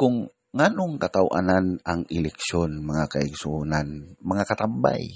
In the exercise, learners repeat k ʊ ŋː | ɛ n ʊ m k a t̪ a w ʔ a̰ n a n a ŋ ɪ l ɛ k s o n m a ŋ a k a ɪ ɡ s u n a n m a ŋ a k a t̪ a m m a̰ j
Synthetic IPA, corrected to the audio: k ʊ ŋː | a n ʊ ŋ k a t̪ a w ʔ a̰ n a n a ŋ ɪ l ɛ k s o n m a ŋ a k a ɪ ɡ s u n a n m a ŋ a k a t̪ a m b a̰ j